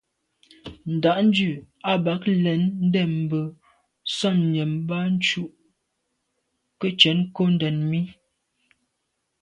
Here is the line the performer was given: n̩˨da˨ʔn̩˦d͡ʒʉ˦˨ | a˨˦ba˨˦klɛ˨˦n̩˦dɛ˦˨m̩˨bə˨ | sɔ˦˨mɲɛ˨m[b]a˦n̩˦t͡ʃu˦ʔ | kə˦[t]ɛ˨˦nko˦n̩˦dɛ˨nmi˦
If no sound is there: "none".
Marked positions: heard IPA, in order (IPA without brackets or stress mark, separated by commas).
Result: b, t͡ʃ